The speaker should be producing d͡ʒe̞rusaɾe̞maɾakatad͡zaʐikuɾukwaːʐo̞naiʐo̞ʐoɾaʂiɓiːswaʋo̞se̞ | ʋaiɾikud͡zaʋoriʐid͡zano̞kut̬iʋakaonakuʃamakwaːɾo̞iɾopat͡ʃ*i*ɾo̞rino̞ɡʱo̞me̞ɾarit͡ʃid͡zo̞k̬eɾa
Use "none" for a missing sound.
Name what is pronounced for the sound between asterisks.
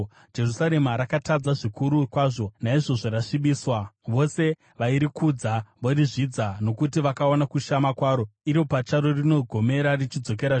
a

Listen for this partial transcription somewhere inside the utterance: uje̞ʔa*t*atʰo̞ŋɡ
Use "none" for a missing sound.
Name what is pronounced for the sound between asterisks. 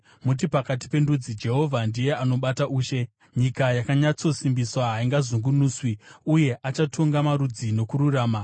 t͡ʃ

